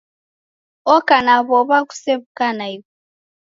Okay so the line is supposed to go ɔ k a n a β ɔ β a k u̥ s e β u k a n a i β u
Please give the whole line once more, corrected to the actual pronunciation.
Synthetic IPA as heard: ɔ k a n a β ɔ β a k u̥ s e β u k a n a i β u